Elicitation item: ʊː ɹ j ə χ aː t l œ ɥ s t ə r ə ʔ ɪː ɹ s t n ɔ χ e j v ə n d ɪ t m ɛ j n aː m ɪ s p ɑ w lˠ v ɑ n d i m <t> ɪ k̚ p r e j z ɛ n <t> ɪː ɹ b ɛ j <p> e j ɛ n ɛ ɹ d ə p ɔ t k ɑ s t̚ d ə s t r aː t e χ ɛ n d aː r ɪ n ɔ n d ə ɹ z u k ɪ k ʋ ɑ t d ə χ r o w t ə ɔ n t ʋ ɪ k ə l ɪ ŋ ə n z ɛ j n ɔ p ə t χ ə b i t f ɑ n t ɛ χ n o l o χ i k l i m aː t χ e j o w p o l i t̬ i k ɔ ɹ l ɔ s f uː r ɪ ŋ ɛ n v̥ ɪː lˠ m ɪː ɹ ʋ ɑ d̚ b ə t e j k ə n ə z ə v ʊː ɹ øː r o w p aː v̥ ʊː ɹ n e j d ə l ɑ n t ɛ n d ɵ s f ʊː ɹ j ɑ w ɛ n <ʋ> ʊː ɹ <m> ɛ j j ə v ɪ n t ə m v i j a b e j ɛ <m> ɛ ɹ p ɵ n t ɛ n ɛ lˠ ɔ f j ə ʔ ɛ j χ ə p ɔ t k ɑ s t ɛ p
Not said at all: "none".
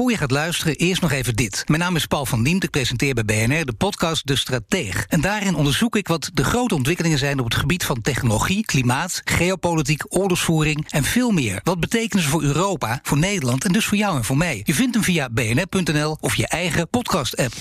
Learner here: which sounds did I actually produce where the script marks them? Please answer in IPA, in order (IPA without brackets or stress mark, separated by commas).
t, t, b, v, m, n